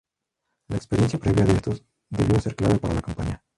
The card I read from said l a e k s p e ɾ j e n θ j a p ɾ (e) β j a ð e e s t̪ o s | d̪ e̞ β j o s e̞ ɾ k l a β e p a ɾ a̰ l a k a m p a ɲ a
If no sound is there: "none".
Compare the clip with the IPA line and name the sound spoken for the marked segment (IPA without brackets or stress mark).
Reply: e